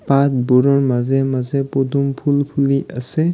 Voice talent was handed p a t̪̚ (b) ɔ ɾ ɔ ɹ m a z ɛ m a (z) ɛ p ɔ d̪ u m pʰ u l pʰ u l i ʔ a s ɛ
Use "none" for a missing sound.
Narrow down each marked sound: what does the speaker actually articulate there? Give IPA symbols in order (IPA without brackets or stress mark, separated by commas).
b, z